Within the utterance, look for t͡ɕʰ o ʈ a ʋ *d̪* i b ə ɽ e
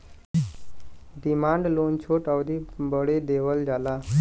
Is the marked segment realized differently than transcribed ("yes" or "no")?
no